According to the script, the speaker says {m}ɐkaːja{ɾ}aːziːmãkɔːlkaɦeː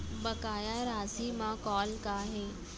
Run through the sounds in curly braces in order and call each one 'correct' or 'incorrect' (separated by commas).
incorrect, correct